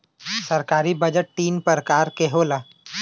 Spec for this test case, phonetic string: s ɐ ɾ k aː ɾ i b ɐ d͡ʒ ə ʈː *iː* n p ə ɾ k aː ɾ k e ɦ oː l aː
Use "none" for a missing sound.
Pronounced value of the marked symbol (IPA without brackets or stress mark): iː